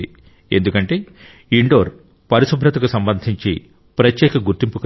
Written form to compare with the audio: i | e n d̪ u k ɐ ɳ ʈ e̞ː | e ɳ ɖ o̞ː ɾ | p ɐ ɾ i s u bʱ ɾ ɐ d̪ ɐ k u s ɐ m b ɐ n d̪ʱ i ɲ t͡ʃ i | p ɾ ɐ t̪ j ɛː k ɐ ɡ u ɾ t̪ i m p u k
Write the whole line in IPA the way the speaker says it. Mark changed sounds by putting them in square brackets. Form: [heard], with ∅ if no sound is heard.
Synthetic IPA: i | e n d̪ u k ɐ ɳ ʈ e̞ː | [i] ɳ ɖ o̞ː ɾ | p ɐ ɾ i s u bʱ ɾ ɐ [t̪] ɐ k u s ɐ m b ɐ n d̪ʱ i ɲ t͡ʃ i | p ɾ ɐ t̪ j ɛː k ɐ ɡ u ɾ t̪ i m p u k